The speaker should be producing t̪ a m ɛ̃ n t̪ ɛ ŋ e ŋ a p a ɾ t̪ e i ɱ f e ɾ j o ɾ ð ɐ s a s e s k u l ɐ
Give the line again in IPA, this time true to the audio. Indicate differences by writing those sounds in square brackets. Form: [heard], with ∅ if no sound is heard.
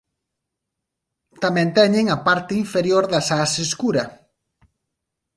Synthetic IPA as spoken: t̪ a m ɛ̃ n t̪ ɛ [ɲ] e ŋ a p a ɾ t̪ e i ɱ f e ɾ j o ɾ ð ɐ s a s e s k u [ɾ] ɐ